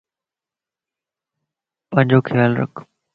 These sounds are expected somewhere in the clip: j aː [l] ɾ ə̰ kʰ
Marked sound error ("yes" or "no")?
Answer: no